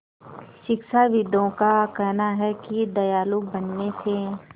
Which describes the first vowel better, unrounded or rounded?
unrounded